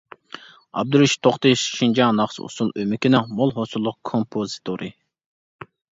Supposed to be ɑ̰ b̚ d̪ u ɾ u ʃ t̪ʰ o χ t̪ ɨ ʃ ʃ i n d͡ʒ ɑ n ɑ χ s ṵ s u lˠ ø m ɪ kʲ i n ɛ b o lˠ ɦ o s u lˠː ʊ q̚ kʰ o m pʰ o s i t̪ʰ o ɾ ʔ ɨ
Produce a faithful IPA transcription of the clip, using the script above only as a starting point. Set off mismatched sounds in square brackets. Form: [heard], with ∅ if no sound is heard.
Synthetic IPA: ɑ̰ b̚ d̪ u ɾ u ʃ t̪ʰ o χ t̪ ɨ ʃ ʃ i n d͡ʒ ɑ n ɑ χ s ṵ s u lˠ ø m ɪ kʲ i n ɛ [m] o lˠ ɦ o s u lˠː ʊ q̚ kʰ o m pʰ o [z] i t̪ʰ o ɾ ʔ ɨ